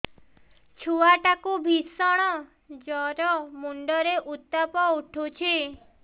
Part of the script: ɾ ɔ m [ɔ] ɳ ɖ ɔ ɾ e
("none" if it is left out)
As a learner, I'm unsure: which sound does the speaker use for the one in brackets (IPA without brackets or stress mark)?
u